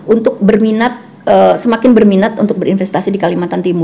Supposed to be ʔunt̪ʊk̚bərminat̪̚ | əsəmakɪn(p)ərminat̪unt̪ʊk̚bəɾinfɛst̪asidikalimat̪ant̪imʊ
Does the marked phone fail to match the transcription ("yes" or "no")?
yes